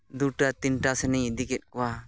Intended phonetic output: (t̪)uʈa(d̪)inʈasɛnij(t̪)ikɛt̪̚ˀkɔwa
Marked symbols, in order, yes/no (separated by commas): no, no, no